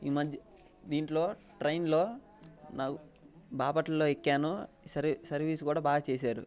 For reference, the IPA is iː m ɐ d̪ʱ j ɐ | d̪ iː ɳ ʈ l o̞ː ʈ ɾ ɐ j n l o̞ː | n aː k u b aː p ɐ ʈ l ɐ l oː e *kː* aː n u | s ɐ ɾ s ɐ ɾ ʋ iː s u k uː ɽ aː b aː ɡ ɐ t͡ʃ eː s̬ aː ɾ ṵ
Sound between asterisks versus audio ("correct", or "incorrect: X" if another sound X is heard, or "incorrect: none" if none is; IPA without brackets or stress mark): correct